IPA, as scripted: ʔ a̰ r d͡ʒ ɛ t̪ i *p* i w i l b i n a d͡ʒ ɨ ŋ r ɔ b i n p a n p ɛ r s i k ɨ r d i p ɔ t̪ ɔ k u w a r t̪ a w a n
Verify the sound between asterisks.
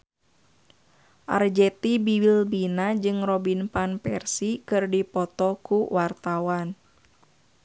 incorrect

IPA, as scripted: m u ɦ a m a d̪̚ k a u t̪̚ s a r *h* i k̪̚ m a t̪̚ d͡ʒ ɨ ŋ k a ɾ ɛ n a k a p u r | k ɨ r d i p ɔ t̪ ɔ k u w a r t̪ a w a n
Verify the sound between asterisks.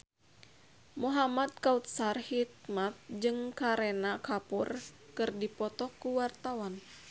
correct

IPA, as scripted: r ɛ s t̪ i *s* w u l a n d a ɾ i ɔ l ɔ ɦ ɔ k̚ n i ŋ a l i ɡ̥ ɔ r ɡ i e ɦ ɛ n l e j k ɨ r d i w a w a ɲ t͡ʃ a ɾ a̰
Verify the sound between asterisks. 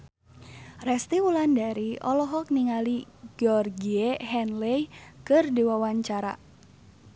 incorrect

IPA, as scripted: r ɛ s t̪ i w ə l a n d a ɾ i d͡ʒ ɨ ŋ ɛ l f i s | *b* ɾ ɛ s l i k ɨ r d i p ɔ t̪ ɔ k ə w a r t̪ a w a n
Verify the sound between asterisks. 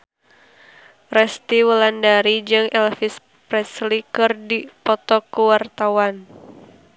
incorrect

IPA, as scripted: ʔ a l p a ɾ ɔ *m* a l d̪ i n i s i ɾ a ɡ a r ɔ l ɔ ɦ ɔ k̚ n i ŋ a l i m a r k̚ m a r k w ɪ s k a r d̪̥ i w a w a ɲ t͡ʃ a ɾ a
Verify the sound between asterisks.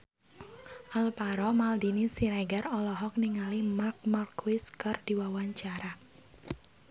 correct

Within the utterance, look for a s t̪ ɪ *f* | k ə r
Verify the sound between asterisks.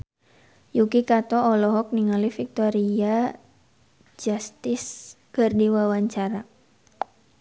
incorrect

